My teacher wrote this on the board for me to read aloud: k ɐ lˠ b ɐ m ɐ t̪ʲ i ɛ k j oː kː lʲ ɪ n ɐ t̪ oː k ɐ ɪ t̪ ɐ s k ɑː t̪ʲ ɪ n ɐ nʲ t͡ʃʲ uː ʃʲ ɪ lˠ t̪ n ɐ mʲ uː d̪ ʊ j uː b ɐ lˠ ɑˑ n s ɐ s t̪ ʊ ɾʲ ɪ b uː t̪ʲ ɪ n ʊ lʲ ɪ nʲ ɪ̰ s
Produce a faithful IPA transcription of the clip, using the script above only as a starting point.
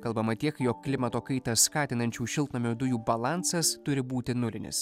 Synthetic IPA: k ɐ lˠ b ɐ m ɐ t̪ʲ i ɛ k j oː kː lʲ ɪ m ɐ t̪ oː k ɐ ɪ t̪ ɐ s k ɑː t̪ʲ ɪ n ɐ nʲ t͡ʃʲ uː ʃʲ ɪ lˠ t̪ n ɐ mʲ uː d̪ ʊ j uː b ɐ lˠ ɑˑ n s ɐ s t̪ ʊ ɾʲ ɪ b uː t̪ʲ ɪ n ʊ lʲ ɪ nʲ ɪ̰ s